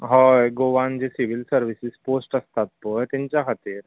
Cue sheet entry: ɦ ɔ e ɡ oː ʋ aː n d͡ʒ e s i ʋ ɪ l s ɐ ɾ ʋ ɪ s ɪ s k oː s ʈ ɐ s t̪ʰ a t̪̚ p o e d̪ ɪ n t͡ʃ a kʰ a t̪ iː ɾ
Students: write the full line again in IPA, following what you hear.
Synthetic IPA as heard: ɦ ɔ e ɡ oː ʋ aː n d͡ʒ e s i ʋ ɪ l s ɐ ɾ ʋ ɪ s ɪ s p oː s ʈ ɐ s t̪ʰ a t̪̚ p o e t̪ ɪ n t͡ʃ a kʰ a t̪ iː ɾ